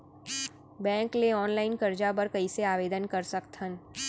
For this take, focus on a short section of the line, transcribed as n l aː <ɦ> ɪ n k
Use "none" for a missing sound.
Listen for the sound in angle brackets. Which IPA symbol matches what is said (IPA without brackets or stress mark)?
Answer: none